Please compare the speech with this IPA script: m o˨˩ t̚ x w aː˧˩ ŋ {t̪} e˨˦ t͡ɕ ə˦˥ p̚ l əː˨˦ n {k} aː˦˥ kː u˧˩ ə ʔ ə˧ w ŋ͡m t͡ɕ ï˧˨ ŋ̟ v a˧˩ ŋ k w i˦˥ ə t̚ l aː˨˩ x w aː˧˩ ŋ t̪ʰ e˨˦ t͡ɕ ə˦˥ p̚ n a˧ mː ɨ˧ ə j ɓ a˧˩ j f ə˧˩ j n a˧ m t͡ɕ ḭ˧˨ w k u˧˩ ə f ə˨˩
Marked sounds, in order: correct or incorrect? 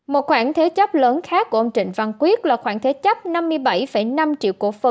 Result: incorrect: t̪ʰ, incorrect: x

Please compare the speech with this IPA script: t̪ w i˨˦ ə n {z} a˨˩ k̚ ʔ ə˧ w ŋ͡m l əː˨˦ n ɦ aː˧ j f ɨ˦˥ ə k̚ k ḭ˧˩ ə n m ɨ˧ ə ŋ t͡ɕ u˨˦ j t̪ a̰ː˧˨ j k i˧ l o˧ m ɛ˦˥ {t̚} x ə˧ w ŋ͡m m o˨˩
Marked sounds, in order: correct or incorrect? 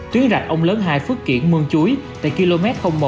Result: correct, correct

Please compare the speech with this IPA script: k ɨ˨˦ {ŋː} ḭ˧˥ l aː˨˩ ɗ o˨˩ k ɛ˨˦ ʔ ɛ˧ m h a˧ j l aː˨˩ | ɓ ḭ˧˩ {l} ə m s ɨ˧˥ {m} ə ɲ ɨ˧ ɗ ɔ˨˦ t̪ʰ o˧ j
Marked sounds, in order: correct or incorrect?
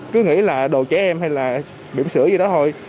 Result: incorrect: ŋ, incorrect: none, incorrect: none

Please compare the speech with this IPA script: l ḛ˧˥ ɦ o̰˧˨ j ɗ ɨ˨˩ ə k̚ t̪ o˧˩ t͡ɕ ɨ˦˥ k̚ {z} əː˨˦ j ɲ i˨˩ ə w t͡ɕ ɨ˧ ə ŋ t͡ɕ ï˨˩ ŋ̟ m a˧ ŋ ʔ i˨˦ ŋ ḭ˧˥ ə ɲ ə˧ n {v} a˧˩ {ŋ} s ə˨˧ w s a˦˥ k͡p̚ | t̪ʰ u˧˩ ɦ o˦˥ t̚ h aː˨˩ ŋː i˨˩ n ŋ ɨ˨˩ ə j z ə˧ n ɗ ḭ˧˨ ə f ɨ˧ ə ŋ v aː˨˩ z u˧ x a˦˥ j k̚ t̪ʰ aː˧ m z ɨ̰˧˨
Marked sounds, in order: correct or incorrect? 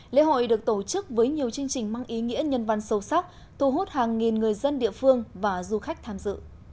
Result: incorrect: v, correct, incorrect: n

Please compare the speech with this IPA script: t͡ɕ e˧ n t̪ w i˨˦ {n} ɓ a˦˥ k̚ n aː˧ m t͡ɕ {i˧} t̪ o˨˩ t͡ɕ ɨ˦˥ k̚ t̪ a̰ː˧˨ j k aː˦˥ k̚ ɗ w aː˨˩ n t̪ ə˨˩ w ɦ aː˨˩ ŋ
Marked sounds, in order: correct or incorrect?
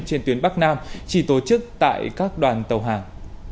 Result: correct, incorrect: i˧˩

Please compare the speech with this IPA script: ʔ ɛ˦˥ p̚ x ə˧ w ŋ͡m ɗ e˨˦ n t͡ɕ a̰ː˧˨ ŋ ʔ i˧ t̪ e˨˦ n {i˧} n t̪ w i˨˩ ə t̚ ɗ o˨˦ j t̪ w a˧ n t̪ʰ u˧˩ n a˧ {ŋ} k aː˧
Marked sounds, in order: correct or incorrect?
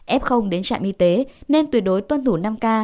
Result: incorrect: e˧, incorrect: m

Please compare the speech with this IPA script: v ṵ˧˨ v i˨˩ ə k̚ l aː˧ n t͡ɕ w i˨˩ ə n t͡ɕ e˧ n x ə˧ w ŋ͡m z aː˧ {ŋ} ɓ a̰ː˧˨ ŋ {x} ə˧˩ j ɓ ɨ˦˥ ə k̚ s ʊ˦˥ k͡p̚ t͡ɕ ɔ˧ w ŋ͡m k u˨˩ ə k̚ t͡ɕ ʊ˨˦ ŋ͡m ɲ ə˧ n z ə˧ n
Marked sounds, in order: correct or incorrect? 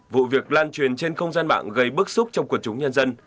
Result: incorrect: n, incorrect: ɣ

